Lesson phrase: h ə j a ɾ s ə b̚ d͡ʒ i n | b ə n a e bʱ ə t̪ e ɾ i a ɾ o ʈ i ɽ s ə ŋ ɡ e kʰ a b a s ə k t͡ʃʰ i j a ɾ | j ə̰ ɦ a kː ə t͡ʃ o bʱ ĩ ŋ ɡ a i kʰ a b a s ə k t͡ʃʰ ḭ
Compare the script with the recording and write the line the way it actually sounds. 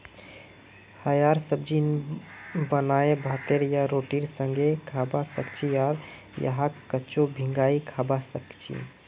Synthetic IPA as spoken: h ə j a ɾ s ə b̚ d͡ʒ i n | b ə n a e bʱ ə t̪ e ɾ j a ɾ o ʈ i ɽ s ə ŋ ɡ e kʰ a b a s ə k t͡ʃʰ i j a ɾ | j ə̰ ɦ a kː ə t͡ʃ o bʱ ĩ ŋ ɡ a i kʰ a b a s ə k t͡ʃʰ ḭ